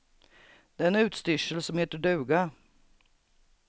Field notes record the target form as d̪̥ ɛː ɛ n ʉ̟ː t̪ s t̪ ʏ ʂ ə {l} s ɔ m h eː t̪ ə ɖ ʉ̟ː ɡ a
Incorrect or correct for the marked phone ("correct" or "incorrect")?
correct